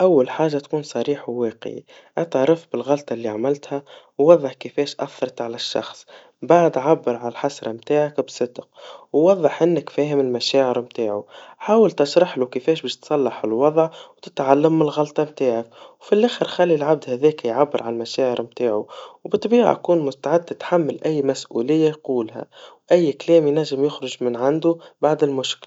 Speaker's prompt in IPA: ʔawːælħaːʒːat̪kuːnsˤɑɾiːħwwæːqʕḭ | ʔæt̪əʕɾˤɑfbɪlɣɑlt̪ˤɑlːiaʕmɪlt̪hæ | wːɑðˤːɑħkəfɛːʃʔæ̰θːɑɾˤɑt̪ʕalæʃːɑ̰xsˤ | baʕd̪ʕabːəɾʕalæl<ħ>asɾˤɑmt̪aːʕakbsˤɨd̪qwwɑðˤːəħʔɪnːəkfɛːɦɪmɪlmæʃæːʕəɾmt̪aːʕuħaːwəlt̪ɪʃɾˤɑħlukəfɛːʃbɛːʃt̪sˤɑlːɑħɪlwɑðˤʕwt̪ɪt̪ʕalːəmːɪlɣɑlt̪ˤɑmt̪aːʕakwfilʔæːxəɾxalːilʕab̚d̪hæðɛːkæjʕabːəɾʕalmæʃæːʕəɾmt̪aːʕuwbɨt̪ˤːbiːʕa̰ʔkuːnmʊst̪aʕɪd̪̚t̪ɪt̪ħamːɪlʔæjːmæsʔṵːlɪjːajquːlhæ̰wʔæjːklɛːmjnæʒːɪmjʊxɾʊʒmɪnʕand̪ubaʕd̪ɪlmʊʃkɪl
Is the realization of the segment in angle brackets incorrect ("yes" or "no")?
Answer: no